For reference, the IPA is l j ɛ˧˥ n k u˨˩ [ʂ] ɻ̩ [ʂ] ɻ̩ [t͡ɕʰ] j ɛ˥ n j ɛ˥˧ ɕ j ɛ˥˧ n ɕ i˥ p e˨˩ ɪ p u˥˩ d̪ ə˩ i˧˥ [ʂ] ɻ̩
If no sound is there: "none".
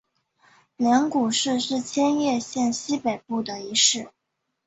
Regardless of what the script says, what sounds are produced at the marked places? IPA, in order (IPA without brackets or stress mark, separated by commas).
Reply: ʂ, ʂ, t͡ɕʰ, ʂ